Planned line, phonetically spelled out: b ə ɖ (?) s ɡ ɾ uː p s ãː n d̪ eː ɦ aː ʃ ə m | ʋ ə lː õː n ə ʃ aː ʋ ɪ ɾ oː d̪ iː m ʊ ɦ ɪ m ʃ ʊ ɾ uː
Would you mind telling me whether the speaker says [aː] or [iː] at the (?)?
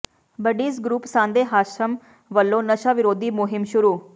iː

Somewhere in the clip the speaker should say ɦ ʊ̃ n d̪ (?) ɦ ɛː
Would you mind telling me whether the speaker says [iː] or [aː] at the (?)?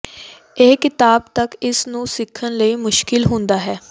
aː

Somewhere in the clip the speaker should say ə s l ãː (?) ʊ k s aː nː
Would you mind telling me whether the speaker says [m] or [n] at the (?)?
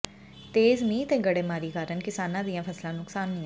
n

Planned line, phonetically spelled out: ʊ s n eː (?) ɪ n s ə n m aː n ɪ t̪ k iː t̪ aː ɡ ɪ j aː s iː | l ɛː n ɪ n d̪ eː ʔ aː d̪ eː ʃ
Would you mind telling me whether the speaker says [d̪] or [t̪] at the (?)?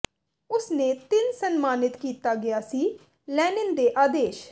t̪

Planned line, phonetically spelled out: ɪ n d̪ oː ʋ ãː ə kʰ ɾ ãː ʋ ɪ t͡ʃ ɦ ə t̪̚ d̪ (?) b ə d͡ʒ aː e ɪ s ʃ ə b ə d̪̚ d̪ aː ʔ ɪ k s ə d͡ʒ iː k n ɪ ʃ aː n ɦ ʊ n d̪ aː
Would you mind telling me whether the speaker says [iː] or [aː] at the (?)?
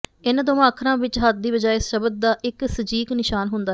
iː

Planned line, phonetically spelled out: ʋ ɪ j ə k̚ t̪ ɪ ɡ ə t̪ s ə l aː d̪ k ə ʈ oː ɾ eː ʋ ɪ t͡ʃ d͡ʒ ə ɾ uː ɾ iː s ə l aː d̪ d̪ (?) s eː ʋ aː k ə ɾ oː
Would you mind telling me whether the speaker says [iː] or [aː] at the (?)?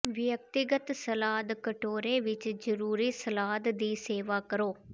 iː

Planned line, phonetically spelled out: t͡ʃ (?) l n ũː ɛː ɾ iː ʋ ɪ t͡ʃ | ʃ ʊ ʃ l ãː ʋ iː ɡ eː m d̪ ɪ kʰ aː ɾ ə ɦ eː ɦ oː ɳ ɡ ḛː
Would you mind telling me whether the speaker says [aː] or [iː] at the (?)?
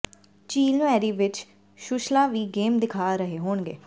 iː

